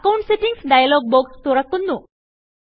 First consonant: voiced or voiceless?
voiceless